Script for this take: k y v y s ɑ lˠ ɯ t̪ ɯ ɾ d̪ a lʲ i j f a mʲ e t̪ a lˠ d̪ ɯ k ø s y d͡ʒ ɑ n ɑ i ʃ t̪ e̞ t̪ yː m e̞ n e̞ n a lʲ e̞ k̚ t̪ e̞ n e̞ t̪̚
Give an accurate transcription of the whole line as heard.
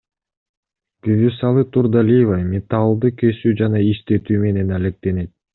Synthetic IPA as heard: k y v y s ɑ lˠ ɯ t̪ u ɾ d̪ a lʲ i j v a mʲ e t̪ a lˠ d̪ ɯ k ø s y d͡ʒ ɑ n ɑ i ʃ t̪ e̞ t̪ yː m e̞ n e̞ n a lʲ e̞ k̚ t̪ e̞ n e̞ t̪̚